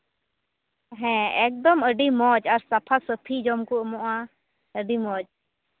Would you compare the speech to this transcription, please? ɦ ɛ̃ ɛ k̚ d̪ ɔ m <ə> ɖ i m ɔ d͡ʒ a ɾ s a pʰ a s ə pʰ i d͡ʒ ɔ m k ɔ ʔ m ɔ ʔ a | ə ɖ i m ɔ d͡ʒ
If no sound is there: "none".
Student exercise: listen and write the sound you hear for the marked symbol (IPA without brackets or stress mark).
ə